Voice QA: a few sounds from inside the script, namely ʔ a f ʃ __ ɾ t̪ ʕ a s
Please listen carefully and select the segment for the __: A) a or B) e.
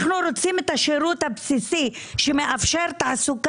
B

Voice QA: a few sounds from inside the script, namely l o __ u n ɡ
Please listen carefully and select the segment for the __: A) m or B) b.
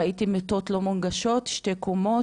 A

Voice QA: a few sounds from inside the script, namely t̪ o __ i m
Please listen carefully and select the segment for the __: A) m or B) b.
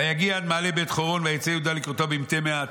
B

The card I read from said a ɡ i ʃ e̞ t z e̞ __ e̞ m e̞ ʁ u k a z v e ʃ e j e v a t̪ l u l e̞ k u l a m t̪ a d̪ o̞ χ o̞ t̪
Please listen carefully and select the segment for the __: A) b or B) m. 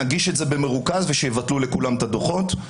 A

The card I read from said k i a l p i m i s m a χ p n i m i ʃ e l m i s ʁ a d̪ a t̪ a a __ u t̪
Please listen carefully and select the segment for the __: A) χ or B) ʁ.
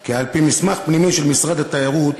B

